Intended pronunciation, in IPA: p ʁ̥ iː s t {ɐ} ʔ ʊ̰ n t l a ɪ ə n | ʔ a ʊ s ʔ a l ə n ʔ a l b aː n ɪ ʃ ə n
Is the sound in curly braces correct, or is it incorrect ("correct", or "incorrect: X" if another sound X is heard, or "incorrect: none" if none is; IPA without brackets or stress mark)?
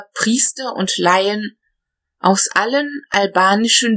correct